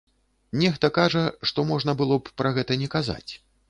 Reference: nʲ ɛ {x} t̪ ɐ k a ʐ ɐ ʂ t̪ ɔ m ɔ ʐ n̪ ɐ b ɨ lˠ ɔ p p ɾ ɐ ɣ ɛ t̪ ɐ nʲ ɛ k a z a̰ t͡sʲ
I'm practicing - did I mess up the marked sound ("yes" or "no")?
no